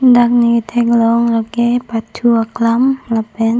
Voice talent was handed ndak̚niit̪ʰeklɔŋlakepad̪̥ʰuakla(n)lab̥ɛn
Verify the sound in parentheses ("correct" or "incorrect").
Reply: incorrect